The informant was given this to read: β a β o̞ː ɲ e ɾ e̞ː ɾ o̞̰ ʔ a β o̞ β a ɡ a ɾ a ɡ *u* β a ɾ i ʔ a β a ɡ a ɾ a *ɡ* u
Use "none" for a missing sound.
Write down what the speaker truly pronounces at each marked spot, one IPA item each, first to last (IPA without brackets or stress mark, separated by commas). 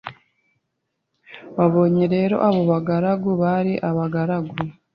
u, ɡ